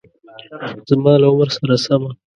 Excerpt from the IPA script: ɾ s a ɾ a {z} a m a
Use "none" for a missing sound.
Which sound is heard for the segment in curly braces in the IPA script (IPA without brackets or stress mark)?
s